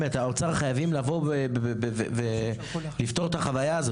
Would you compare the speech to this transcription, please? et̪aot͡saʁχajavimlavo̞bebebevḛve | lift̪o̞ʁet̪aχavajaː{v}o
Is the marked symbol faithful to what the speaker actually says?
no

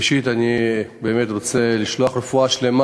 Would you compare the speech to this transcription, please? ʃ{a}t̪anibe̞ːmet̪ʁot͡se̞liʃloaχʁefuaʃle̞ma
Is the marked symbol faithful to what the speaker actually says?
no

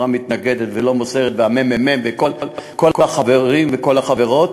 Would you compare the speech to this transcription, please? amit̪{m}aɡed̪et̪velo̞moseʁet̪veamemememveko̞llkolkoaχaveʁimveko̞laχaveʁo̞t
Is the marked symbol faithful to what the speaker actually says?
no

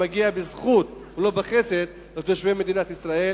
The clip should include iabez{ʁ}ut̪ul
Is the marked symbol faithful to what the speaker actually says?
no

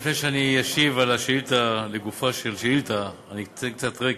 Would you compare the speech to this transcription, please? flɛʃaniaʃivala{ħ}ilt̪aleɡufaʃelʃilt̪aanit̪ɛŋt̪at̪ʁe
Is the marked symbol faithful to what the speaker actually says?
no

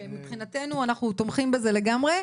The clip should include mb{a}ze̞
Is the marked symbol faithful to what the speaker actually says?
no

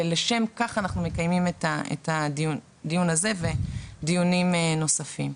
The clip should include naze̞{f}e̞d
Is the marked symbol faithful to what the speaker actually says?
no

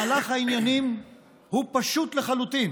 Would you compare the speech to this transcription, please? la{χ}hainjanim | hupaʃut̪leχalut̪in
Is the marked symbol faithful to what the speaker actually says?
yes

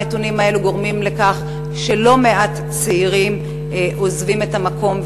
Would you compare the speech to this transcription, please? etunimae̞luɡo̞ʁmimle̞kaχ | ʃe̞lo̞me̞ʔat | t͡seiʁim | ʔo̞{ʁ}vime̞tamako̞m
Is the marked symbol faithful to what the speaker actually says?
no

